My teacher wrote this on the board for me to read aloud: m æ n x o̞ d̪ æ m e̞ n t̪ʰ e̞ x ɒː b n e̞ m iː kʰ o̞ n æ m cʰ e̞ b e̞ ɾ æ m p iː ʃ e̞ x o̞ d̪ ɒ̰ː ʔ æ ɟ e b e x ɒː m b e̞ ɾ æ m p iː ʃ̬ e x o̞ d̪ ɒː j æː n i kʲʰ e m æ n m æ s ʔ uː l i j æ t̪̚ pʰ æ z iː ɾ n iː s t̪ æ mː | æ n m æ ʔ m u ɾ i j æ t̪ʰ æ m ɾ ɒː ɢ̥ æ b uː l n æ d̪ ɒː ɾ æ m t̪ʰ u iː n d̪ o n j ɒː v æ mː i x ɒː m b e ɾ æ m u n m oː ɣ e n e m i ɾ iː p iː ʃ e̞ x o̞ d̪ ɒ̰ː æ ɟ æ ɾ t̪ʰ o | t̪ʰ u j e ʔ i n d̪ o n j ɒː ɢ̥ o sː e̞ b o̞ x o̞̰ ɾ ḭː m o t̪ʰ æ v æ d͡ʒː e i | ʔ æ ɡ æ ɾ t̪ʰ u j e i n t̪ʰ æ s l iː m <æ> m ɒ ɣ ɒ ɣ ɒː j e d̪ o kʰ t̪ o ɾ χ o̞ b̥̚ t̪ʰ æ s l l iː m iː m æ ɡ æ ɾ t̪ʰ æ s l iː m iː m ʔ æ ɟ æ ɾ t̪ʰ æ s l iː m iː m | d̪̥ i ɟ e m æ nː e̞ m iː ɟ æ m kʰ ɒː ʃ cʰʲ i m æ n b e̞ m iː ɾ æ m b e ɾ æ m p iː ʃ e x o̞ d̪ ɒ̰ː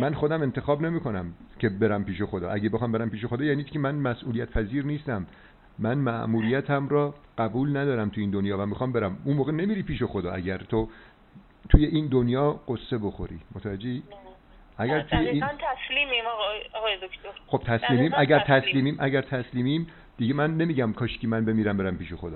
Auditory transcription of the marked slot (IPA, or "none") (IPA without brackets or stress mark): i